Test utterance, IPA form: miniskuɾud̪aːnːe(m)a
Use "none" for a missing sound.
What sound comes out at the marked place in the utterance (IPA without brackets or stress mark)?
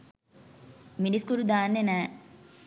n